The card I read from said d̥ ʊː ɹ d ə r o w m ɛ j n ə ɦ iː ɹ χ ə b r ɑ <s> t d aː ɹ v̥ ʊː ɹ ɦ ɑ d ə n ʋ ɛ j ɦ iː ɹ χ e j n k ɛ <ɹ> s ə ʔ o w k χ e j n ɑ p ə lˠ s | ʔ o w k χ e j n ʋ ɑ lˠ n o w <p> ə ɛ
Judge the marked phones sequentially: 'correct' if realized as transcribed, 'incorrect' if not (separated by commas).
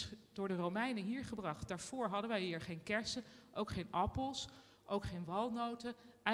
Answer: incorrect, correct, incorrect